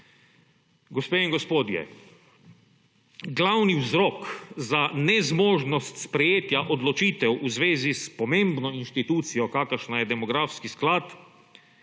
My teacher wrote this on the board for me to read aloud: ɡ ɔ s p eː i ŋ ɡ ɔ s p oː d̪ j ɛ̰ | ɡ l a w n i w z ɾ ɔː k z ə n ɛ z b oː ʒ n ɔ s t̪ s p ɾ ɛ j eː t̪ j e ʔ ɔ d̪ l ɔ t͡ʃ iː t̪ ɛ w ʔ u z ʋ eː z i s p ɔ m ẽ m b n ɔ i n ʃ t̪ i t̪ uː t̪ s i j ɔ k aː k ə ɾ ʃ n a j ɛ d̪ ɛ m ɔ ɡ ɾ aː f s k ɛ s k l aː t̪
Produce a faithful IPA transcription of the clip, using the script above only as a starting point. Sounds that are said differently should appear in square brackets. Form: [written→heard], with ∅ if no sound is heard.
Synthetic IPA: ɡ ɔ s p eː i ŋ ɡ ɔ s p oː d̪ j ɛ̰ | ɡ l a w n i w z ɾ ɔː k z [ə→a] n ɛ z [b→m] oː ʒ n ɔ s t̪ s p ɾ ɛ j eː t̪ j [e→a] ʔ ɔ d̪ l ɔ t͡ʃ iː t̪ ɛ w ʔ u z ʋ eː z i s p ɔ m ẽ m b n ɔ i n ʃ t̪ i t̪ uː t̪ s i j ɔ k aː k ə ɾ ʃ n a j ɛ d̪ ɛ m ɔ ɡ ɾ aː f s k [ɛ→i] s k l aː t̪